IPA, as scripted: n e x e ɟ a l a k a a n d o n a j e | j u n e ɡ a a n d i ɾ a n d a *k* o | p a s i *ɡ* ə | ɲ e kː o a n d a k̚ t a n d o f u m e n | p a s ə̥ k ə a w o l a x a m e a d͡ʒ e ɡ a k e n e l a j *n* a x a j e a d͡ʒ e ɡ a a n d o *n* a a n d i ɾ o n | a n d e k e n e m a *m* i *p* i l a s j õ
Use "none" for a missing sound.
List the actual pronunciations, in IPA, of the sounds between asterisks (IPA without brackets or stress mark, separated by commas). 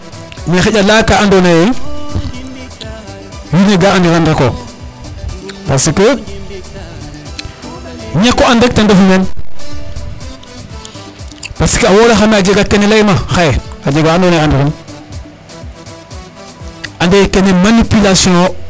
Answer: k, k, m, n, n, p